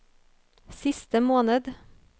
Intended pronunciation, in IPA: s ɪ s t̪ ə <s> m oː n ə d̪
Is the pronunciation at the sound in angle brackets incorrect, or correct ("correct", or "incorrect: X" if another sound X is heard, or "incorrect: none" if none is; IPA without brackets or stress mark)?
incorrect: none